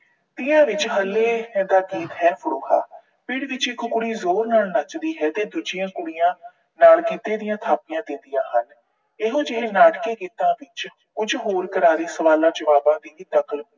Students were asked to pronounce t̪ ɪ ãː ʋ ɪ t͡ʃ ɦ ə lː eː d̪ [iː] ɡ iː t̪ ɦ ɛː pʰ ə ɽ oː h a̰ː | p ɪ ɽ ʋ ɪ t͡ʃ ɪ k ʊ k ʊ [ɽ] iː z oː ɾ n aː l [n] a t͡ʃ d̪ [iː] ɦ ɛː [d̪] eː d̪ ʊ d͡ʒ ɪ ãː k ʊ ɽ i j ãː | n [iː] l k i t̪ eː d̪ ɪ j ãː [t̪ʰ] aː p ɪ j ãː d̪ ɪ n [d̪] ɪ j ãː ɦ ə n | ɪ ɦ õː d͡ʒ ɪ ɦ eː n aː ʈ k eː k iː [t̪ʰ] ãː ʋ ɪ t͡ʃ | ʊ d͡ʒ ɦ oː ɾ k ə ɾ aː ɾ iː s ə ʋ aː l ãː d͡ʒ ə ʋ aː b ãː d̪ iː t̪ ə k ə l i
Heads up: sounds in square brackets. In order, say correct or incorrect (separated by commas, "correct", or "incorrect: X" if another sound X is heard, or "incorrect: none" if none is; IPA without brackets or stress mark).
incorrect: aː, correct, correct, correct, incorrect: t̪, incorrect: aː, correct, correct, incorrect: t̪